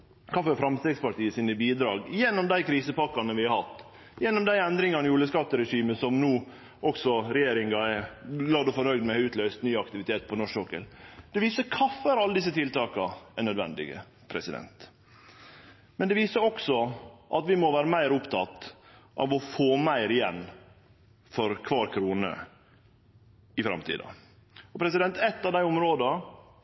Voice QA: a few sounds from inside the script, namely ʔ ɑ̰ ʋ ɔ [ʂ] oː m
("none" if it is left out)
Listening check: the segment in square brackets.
f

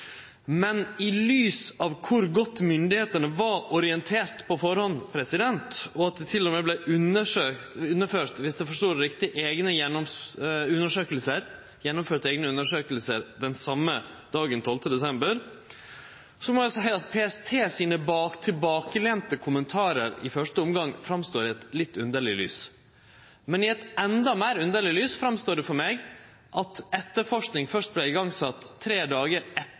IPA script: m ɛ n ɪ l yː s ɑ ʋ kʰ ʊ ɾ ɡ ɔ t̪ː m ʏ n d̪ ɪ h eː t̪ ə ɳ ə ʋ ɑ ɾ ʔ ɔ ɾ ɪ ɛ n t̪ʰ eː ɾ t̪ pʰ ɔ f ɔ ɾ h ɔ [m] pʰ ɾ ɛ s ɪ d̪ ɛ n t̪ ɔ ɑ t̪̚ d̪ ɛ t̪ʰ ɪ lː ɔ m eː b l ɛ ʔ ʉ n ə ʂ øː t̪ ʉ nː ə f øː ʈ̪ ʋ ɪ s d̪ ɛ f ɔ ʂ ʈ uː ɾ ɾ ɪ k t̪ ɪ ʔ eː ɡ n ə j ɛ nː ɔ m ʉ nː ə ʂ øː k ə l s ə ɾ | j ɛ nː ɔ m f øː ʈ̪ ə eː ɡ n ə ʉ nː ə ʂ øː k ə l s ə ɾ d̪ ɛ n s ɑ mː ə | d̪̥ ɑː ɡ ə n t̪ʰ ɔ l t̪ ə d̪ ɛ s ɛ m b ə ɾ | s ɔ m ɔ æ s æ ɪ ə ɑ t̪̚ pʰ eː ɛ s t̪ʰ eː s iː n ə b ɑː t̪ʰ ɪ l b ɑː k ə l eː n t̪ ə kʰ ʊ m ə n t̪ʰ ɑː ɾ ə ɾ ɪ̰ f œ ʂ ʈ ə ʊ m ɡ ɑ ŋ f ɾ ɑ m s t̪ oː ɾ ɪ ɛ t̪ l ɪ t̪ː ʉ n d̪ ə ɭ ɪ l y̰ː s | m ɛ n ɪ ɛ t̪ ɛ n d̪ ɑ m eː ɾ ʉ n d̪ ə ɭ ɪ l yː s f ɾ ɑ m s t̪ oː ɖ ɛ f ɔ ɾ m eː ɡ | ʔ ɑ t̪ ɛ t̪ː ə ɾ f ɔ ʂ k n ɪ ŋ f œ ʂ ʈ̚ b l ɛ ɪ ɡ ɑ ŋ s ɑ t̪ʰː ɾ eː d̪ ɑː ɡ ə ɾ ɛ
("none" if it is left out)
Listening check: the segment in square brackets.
n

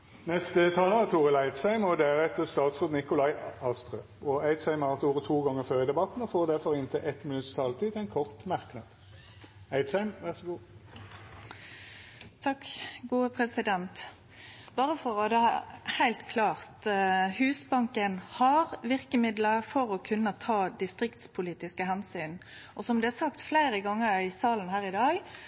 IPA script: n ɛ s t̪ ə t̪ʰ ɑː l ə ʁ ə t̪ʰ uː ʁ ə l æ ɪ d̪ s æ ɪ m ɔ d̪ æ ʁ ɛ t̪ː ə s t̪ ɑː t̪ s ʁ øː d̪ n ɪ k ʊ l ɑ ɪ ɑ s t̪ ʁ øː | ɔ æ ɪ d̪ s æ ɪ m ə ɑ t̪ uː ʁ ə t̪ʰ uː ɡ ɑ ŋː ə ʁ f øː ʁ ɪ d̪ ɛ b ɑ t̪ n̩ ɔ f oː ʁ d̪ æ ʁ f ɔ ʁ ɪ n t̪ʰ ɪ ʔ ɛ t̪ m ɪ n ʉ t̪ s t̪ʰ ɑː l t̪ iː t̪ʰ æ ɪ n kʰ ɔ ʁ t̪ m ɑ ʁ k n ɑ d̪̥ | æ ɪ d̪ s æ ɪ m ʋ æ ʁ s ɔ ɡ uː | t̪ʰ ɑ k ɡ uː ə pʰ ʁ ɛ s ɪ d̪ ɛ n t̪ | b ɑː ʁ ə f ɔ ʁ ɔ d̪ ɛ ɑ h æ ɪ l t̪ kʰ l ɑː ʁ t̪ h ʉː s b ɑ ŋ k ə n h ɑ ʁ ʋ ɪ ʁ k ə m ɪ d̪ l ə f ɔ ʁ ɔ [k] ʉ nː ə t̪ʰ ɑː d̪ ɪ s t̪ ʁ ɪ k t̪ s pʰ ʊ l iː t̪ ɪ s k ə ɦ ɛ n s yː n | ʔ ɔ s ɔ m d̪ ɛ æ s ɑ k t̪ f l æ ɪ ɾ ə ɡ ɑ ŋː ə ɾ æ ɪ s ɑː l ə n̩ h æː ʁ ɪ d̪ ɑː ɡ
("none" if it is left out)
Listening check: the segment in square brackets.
kʰ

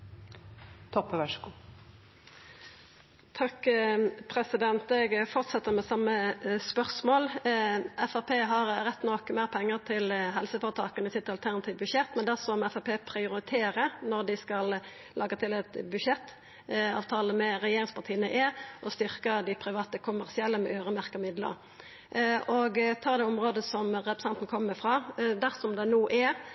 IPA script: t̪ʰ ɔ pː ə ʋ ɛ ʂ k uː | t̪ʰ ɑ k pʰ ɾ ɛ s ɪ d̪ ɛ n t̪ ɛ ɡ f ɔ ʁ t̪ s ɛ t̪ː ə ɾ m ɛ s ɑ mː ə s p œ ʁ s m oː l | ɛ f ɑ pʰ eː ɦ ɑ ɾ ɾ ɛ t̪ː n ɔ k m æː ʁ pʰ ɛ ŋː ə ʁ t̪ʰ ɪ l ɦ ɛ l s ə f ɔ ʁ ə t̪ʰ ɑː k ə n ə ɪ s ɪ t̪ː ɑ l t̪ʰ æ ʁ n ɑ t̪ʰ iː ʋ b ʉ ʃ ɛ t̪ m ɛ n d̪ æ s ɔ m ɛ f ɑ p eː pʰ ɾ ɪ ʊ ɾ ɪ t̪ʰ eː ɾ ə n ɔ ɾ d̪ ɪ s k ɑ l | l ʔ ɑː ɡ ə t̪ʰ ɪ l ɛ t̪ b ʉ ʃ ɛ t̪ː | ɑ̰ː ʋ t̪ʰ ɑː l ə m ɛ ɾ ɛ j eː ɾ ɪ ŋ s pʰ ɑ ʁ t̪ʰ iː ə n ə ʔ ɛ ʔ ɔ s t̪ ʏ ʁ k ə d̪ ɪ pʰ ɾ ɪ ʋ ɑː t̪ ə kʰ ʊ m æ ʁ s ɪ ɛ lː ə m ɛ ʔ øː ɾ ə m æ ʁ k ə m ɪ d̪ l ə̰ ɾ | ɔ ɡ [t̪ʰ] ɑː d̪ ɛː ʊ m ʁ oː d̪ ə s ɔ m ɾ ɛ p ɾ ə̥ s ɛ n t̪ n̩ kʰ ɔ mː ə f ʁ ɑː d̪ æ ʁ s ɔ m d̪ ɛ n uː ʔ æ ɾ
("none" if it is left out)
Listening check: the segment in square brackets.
t̪ʰ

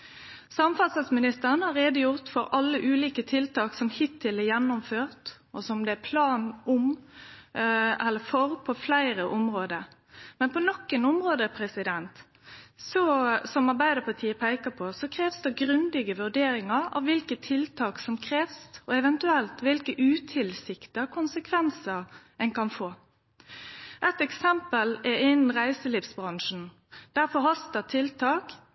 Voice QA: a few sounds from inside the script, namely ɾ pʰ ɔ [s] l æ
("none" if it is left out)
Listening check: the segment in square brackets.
f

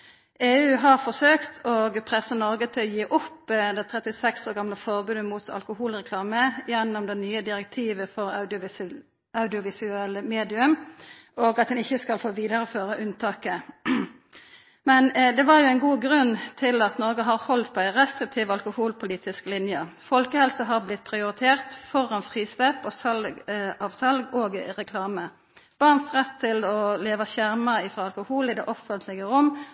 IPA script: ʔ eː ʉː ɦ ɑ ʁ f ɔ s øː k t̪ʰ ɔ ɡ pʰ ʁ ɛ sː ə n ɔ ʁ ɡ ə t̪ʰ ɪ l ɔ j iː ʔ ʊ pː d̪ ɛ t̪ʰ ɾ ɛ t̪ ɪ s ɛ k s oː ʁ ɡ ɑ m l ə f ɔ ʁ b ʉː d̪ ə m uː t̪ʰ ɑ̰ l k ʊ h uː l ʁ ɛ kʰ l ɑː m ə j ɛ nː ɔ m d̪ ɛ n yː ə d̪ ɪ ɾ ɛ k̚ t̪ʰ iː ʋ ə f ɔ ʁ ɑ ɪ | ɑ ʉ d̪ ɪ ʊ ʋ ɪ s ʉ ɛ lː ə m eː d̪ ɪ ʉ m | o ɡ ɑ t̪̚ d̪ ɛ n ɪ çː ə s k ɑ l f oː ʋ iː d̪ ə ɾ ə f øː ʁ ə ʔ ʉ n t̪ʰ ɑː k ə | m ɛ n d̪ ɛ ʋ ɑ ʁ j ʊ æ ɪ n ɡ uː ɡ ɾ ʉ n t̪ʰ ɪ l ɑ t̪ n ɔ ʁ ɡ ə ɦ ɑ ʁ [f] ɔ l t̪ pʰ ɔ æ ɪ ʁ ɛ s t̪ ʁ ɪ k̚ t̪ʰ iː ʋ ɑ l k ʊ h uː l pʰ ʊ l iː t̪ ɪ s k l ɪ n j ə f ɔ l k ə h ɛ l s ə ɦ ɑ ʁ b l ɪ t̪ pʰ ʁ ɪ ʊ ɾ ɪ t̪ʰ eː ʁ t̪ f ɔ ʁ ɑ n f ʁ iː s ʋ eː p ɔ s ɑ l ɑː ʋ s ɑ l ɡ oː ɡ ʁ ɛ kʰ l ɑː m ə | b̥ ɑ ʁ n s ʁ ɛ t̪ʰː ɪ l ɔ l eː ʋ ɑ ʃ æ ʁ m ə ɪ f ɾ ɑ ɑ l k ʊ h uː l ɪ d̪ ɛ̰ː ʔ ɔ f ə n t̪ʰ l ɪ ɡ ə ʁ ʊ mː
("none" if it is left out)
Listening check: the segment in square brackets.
h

